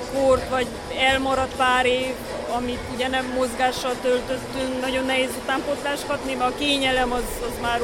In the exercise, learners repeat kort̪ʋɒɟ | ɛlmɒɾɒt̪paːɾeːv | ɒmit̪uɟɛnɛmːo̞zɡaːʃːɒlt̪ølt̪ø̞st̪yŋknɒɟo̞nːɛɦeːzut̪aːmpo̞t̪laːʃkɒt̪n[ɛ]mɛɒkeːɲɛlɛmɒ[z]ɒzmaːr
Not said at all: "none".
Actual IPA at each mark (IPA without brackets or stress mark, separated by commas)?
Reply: i, z